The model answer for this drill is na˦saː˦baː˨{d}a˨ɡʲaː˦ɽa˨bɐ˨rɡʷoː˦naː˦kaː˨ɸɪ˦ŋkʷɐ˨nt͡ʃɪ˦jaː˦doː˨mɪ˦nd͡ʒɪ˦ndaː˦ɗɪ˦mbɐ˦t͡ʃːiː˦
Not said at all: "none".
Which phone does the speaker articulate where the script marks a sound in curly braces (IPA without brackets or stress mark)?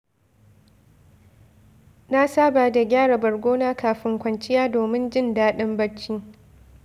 d